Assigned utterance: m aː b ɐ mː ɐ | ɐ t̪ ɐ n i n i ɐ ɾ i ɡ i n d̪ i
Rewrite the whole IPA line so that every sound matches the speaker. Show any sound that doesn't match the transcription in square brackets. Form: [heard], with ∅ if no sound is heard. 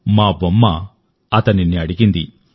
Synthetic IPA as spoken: m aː b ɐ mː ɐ | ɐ t̪ ɐ n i n i ɐ [ɽ] i ɡ i n d̪ i